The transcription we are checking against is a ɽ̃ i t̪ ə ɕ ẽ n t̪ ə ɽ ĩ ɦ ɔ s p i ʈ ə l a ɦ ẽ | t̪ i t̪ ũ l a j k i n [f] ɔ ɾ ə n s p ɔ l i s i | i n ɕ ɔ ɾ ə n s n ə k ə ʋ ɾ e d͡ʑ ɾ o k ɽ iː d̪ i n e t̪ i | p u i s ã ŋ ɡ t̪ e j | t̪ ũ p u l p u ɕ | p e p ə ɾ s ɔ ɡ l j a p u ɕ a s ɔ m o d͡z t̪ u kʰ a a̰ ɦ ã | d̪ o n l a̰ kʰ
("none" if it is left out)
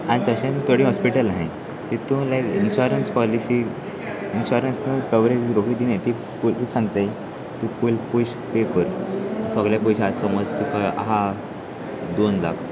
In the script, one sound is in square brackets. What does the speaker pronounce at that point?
ɕ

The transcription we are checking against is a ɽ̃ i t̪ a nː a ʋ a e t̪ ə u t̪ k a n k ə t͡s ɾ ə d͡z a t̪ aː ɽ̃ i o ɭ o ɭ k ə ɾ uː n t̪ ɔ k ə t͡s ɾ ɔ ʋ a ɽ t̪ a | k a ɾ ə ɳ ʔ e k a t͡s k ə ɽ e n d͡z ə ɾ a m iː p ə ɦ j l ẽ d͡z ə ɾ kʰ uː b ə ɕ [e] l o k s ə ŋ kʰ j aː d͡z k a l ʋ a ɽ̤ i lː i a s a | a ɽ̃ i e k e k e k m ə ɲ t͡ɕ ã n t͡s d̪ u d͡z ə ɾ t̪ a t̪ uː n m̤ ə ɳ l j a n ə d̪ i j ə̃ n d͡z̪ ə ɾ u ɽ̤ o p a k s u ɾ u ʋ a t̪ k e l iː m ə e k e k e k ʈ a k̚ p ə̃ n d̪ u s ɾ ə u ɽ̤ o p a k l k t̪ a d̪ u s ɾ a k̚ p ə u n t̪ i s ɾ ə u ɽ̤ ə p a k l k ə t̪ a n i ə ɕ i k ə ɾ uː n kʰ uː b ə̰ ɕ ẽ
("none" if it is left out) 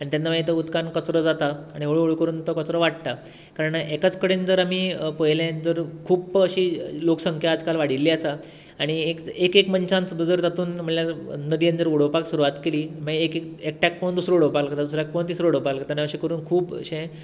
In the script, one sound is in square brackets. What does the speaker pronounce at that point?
i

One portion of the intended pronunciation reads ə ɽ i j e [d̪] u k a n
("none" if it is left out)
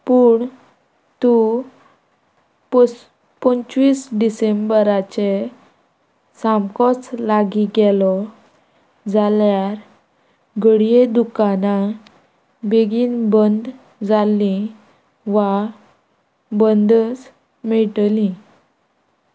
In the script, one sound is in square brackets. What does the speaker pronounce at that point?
d̪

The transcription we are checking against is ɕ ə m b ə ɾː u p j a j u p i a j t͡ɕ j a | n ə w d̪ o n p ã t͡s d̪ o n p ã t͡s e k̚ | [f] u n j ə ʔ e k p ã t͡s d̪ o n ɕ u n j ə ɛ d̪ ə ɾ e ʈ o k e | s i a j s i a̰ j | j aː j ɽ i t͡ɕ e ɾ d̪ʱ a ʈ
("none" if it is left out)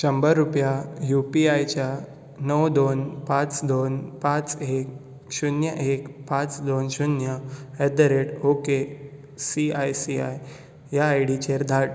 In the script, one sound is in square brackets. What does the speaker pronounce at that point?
ɕ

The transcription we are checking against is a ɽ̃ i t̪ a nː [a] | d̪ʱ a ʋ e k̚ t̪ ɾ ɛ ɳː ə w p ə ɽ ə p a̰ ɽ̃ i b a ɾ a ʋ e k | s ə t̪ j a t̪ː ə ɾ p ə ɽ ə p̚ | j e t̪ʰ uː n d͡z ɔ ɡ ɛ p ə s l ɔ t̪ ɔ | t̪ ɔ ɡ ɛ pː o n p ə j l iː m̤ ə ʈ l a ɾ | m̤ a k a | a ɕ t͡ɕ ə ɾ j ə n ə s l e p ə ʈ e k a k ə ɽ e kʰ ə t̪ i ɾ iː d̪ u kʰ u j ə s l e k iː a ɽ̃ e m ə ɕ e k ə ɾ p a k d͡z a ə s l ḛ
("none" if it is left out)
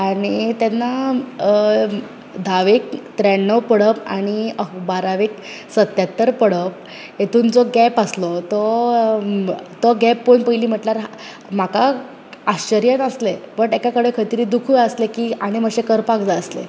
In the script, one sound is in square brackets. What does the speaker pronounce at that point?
a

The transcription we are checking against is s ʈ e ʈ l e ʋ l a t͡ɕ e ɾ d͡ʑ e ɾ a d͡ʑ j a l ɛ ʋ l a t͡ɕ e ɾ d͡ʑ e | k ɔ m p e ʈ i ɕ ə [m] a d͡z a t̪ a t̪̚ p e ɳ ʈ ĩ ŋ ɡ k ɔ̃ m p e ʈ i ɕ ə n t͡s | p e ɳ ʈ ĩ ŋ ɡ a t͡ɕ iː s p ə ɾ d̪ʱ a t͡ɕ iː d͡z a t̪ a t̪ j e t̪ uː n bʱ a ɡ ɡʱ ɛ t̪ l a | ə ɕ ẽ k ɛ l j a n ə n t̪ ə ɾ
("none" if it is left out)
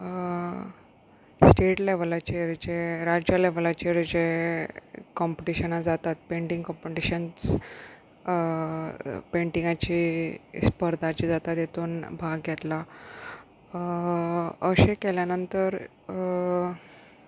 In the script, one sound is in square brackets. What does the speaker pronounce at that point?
n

